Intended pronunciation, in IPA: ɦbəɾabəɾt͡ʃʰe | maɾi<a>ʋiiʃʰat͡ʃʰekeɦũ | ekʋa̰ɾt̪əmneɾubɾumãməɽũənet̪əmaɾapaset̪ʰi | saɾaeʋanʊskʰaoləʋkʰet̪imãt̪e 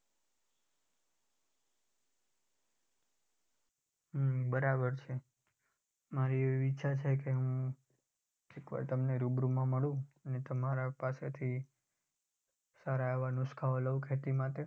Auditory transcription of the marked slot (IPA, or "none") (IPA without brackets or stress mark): e